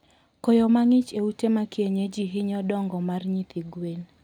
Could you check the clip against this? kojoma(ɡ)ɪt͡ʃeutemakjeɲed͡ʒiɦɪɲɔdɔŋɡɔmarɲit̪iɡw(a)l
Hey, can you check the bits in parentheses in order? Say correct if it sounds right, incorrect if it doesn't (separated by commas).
incorrect, incorrect